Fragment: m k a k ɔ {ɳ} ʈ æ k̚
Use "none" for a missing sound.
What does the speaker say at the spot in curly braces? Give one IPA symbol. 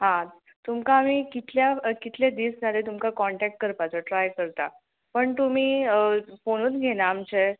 ɳ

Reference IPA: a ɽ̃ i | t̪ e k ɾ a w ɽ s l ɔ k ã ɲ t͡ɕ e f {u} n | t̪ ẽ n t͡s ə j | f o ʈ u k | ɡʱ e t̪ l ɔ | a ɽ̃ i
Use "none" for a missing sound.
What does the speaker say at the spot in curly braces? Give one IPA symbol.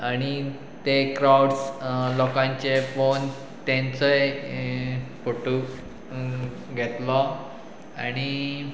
o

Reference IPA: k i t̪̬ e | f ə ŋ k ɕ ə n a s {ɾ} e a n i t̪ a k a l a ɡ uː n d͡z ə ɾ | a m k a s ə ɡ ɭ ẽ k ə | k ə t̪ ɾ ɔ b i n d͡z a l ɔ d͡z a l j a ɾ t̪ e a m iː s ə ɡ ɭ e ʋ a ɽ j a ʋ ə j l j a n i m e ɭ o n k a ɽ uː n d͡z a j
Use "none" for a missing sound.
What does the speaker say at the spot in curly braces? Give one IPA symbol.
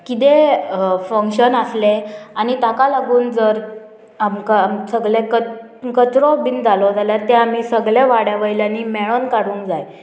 l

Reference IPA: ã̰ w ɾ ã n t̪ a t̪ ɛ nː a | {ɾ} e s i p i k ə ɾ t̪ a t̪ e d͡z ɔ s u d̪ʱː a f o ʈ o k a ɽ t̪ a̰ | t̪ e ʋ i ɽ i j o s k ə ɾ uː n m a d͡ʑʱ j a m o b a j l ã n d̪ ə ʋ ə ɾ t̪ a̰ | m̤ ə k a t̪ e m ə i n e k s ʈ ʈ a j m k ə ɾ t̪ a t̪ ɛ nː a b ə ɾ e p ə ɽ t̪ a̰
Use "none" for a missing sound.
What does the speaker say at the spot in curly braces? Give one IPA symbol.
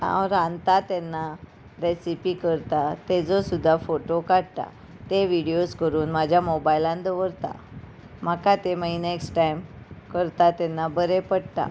ɾ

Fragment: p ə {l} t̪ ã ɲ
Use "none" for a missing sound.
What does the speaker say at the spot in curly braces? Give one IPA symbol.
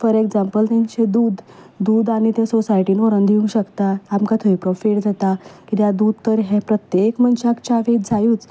l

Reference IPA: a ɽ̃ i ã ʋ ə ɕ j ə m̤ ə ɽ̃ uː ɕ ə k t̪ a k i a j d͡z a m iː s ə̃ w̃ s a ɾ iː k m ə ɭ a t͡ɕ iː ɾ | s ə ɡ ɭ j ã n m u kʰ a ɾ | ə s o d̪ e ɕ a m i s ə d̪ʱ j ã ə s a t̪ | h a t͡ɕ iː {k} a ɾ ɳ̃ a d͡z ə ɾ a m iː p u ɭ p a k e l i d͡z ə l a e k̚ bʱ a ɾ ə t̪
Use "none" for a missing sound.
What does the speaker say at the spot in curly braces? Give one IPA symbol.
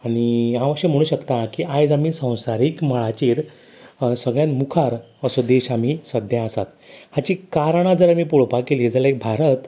k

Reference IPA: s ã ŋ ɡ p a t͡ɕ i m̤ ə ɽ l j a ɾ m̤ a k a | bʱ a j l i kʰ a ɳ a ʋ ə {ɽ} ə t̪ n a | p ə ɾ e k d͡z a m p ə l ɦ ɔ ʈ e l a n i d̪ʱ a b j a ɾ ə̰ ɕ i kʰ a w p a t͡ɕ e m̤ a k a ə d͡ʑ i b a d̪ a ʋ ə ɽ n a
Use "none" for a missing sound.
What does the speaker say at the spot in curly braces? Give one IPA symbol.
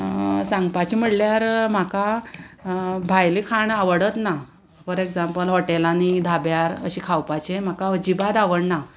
ɽ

